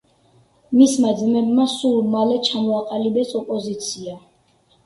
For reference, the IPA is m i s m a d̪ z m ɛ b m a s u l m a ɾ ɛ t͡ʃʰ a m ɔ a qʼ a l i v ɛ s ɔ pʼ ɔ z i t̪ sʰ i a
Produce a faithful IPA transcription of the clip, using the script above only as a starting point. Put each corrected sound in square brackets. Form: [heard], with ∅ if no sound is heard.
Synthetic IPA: m i s m a d̪ z m ɛ b m a s u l m a [l] ɛ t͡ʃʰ a m ɔ a qʼ a l i [b] ɛ s ɔ pʼ ɔ z i t̪ sʰ i a